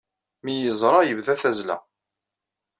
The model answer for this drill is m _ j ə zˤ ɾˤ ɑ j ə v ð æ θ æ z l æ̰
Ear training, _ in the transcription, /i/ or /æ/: i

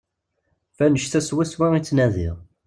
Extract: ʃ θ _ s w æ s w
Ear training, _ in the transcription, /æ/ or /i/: æ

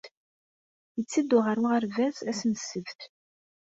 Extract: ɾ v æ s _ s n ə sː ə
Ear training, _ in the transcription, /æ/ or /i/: æ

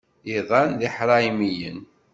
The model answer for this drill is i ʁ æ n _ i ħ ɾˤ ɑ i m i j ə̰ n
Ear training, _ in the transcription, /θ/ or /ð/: ð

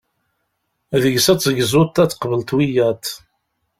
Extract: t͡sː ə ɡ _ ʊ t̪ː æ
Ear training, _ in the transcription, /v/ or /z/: z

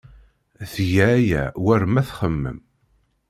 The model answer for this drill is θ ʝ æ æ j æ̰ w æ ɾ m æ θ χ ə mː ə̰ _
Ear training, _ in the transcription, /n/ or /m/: m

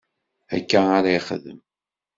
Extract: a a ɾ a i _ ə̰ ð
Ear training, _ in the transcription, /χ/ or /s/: χ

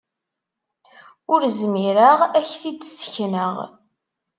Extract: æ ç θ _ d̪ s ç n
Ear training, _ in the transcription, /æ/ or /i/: i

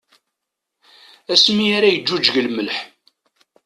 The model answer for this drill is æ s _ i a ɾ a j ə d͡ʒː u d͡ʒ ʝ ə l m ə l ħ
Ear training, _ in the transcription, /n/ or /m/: m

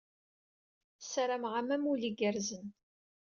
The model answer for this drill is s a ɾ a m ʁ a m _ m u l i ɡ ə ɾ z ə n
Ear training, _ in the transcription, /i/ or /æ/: æ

